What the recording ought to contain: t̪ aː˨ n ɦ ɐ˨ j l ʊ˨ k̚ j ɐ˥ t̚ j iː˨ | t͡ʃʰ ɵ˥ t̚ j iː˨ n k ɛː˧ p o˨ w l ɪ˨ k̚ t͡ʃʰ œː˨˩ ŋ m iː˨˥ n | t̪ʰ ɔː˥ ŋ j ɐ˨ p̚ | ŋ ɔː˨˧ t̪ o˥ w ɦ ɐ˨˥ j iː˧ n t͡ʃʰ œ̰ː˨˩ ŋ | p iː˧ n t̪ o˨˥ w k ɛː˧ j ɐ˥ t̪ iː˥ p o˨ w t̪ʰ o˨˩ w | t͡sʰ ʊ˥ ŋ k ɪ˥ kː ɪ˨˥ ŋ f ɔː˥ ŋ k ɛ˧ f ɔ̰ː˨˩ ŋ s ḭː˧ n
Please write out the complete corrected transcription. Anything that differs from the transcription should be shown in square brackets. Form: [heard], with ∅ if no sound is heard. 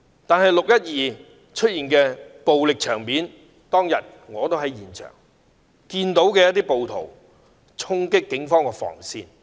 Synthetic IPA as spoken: t̪ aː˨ n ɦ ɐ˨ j l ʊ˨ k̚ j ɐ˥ t̚ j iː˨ | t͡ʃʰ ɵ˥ t̚ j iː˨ n k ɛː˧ p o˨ w l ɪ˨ k̚ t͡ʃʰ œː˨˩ ŋ m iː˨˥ n | [t̪] ɔː˥ ŋ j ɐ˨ [t̚] | ŋ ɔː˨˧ t̪ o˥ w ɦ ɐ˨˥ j [iː˨˩] n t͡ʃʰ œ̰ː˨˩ ŋ | [k] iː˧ n t̪ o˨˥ w k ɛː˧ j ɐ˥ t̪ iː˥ p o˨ w t̪ʰ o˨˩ w | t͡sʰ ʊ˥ ŋ k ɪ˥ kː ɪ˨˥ ŋ f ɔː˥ ŋ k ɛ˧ f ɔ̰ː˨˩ ŋ s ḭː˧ n